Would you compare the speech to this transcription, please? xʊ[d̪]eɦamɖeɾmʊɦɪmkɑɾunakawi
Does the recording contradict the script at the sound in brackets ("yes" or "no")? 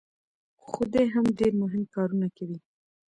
no